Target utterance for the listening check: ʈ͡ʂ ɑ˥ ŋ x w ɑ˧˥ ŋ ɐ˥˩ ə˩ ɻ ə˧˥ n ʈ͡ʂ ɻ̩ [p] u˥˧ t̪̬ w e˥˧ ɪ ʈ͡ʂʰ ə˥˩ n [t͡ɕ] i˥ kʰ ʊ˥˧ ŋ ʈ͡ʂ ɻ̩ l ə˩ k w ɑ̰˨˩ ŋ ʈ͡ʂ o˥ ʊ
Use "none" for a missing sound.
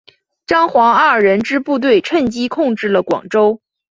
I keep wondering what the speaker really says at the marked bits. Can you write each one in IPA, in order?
p, t͡ɕ

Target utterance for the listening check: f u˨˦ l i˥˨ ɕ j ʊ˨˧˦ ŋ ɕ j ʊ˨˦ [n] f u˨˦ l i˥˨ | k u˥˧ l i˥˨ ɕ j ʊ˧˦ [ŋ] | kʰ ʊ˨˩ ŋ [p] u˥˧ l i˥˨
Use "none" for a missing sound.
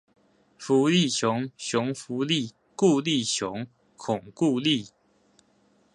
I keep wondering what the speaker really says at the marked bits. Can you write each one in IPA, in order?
ŋ, ŋ, k

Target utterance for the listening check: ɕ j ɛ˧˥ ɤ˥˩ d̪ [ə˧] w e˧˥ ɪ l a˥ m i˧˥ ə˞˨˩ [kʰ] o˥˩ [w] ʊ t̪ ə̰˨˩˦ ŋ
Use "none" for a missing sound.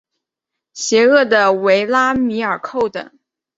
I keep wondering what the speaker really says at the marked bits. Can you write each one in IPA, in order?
ə˩, kʰ, none

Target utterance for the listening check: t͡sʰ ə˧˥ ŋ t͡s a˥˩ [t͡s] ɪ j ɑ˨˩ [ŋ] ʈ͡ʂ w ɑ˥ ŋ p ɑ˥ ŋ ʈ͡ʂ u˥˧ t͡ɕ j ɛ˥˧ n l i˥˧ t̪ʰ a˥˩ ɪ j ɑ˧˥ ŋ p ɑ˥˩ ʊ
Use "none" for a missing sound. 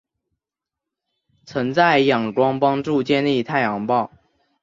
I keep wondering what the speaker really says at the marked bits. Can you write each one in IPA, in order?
none, ŋ

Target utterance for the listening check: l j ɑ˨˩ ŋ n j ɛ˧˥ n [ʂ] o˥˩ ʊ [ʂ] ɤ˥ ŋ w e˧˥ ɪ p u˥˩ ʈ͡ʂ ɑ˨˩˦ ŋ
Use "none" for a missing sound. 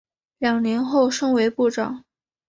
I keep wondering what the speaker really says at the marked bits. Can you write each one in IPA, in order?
x, ʂ

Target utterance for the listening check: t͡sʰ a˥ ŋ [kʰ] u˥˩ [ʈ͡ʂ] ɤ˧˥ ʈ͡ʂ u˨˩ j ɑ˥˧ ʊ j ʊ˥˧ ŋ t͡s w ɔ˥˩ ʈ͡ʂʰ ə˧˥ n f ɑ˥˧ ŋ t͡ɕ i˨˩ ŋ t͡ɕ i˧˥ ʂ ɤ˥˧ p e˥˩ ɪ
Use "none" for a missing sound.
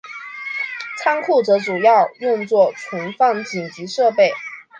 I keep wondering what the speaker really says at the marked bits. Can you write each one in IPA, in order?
kʰ, ʈ͡ʂ

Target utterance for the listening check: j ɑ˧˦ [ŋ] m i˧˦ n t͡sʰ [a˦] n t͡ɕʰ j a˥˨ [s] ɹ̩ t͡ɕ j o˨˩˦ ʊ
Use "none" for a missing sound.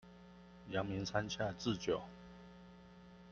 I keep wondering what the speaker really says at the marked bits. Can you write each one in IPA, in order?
ŋ, a˦, t͡s

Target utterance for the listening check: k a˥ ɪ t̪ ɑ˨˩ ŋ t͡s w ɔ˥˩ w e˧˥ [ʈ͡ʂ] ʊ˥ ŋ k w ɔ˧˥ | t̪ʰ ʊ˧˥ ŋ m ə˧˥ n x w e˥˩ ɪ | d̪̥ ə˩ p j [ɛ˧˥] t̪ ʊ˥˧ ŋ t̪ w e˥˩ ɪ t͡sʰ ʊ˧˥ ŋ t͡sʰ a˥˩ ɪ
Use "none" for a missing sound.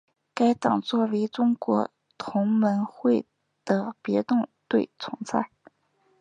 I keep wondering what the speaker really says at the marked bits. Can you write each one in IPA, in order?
ʈ͡ʂ, ɛ˧˥

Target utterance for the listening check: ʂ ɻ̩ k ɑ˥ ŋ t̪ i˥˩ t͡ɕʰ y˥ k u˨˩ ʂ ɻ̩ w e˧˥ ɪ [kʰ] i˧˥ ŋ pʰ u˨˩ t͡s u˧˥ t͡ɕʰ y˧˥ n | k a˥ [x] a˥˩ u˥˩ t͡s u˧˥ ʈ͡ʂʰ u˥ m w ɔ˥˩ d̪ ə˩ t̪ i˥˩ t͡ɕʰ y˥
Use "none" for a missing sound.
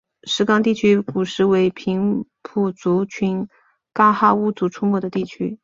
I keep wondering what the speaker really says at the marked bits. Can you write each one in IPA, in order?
pʰ, x

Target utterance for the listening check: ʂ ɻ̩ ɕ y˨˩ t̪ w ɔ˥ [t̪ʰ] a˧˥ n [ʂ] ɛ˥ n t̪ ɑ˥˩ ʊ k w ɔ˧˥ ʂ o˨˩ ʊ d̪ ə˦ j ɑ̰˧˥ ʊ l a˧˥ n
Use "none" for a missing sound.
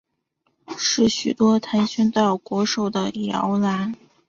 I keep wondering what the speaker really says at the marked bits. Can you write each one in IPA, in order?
t̪ʰ, ɕ

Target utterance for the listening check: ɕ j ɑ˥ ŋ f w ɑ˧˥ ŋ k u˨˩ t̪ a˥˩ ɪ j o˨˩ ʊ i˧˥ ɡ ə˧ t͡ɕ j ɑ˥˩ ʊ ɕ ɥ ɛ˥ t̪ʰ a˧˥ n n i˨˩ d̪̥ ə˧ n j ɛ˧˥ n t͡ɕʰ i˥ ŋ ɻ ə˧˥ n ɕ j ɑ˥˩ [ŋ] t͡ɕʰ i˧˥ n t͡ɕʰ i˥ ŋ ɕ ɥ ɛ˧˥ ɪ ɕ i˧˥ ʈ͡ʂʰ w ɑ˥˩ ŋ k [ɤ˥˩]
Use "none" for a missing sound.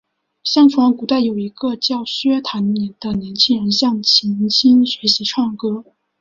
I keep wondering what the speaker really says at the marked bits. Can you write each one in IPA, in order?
ŋ, ɤ˥

